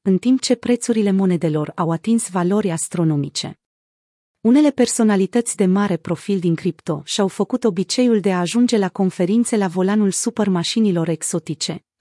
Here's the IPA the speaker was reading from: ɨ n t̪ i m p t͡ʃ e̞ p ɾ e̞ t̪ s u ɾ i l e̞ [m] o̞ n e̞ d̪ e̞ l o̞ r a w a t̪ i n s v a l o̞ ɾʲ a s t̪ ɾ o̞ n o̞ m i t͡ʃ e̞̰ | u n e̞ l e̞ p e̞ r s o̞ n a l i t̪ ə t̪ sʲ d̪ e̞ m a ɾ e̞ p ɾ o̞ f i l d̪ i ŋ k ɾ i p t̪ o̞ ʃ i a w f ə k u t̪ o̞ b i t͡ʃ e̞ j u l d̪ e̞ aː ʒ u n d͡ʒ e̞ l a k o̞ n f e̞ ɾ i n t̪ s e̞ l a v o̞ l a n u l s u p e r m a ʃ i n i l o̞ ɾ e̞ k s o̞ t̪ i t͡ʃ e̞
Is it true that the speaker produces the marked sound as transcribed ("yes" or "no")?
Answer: yes